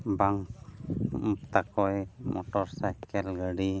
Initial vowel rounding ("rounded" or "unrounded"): unrounded